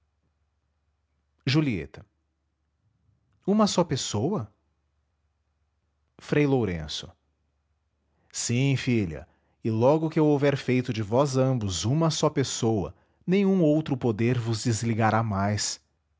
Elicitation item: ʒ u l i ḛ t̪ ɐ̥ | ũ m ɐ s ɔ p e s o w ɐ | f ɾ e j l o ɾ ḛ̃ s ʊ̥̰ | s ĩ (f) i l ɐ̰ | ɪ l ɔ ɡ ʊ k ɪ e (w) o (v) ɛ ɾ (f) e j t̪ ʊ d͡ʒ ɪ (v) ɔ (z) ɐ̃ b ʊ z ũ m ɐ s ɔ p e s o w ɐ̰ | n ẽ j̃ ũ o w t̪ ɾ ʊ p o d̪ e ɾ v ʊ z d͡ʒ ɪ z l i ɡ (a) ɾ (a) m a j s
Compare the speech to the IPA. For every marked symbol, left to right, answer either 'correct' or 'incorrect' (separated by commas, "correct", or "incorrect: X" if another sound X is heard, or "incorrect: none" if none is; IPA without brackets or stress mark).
correct, correct, correct, correct, correct, correct, correct, correct